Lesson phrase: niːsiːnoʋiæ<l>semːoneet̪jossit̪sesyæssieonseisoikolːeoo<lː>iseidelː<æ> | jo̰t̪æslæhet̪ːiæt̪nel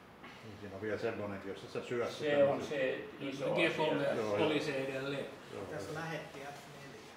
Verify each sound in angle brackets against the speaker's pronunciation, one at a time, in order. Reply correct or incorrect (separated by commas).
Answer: correct, incorrect, incorrect